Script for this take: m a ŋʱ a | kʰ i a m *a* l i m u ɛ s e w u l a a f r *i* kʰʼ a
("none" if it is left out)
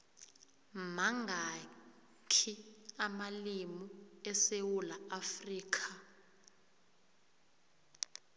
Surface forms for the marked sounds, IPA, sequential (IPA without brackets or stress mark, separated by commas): a, iː